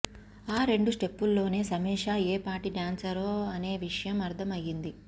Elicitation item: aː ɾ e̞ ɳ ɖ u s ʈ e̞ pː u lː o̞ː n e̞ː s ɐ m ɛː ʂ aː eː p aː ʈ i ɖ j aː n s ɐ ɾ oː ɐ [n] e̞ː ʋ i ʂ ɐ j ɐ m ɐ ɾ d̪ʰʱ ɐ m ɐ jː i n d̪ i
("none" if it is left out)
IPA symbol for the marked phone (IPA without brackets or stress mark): n